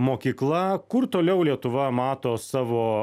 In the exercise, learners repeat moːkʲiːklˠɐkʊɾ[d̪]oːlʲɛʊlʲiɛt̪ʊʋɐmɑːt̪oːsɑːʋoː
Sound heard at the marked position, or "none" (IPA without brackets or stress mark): t̪